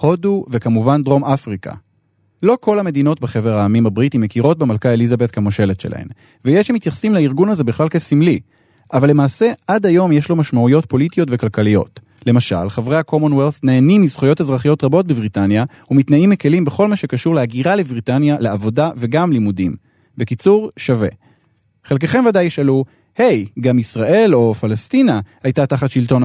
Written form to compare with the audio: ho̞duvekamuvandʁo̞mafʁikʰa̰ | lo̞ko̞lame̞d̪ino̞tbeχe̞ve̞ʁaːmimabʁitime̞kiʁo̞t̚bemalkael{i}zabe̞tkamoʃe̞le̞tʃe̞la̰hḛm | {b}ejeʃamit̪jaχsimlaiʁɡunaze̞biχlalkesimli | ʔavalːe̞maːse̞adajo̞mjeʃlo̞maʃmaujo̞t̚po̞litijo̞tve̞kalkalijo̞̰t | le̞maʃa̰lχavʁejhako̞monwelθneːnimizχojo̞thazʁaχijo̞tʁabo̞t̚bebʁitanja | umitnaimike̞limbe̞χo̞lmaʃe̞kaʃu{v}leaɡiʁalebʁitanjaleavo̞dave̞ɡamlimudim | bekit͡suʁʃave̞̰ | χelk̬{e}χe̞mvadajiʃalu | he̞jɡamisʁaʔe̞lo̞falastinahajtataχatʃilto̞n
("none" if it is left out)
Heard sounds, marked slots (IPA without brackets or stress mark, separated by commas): i, v, ʁ, e